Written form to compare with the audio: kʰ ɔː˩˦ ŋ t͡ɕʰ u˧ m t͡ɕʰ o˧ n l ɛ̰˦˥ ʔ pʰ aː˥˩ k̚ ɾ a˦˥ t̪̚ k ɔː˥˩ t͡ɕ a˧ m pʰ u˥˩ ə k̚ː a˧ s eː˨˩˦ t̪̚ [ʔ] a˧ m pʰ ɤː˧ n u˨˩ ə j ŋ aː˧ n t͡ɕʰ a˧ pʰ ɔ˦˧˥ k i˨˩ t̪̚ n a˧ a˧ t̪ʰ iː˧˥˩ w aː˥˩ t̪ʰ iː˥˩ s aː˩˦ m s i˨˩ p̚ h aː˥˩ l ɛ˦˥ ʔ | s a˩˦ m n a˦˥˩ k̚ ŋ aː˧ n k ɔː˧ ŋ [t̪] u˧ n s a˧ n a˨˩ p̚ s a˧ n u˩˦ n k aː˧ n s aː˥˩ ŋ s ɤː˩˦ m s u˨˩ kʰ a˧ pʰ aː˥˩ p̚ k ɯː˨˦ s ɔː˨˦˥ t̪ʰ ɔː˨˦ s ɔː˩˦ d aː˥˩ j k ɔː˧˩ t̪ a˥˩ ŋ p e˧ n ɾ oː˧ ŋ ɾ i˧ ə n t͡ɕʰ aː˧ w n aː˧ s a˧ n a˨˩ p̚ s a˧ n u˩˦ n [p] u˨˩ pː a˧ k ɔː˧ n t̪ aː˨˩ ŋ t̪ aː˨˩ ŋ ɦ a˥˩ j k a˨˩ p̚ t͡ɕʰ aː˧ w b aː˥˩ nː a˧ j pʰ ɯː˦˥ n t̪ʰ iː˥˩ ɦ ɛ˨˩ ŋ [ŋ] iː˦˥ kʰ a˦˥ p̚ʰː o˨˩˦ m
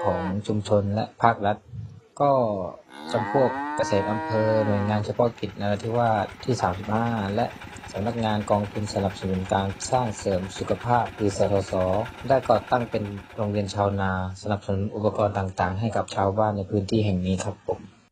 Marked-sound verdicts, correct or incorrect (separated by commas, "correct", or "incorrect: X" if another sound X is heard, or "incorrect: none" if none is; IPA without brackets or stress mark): correct, incorrect: t̪ʰ, incorrect: ʔ, incorrect: n